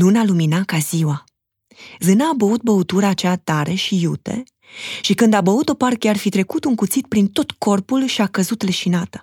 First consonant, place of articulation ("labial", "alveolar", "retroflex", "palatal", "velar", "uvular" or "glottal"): alveolar